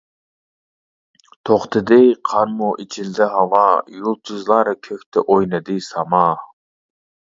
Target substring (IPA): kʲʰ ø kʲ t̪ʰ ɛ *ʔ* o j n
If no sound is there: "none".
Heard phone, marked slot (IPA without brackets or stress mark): ʔ